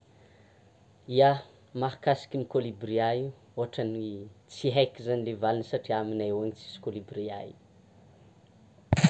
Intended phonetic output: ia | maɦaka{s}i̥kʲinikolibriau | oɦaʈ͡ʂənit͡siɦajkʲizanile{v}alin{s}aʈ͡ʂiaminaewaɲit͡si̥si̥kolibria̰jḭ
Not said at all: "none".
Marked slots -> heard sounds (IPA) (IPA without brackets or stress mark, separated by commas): s, v, s